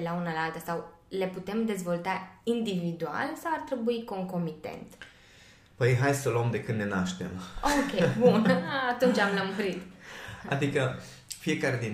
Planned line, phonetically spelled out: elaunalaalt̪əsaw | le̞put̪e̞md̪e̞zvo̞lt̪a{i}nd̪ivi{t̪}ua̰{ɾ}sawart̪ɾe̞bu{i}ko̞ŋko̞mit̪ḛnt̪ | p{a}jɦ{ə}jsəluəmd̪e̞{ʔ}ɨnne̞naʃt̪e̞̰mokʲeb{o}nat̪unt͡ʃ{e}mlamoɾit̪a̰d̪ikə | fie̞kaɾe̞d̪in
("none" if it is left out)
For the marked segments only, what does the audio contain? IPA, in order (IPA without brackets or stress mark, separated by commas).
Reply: i, d̪, l, i, ə, a, k, u, a